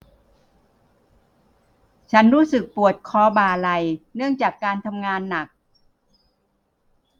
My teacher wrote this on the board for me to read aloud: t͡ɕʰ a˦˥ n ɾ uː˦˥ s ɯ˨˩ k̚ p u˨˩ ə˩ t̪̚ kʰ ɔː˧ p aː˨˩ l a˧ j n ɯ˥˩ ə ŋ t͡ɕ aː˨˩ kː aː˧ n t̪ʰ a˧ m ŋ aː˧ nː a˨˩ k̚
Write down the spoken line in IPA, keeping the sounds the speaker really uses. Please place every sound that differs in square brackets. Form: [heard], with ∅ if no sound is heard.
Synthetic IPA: t͡ɕʰ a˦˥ n ɾ uː˦˥ s ɯ˨˩ k̚ p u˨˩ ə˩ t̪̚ kʰ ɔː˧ [b] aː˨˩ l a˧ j n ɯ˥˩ ə ŋ t͡ɕ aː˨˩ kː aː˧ n t̪ʰ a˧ m ŋ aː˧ nː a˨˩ k̚